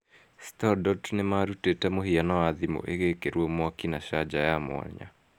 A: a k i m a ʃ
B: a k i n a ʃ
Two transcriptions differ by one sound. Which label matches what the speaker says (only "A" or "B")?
B